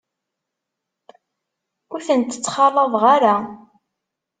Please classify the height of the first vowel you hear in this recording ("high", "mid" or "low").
high